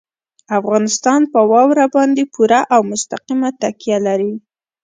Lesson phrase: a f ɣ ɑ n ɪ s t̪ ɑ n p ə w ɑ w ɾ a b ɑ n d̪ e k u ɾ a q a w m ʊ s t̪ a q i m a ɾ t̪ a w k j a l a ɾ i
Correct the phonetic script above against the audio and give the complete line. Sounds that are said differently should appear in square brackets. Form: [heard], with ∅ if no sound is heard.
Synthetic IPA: a f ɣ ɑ n ɪ s t̪ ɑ n p ə w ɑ w ɾ a b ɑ n d̪ e [p] u ɾ a [ʔ] a w m ʊ s t̪ a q i m a [∅] t̪ a [∅] k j a l a ɾ i